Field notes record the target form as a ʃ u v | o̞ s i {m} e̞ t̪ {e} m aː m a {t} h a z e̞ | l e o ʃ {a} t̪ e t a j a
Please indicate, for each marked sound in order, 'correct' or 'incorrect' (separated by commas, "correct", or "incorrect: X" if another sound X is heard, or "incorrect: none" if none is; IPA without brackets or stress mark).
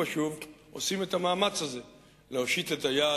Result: correct, incorrect: a, incorrect: t͡s, incorrect: i